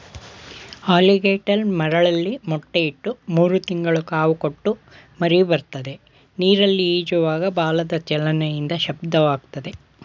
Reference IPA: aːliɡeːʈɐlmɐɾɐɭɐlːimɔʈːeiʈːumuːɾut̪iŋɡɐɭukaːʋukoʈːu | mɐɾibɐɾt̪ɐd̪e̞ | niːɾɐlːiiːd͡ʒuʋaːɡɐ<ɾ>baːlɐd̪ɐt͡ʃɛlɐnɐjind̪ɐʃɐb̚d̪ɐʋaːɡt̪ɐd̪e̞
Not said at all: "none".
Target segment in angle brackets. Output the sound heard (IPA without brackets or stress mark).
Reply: none